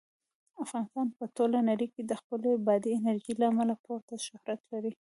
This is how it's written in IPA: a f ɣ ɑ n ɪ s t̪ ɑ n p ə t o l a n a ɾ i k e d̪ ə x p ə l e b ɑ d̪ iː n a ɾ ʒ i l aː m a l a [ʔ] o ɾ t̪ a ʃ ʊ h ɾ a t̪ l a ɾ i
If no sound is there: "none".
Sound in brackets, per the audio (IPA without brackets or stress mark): p